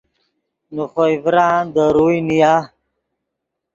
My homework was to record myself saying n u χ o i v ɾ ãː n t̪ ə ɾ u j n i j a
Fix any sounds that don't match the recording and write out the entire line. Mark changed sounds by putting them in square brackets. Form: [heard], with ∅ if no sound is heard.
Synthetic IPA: n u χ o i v ɾ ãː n [d̪] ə ɾ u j n i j a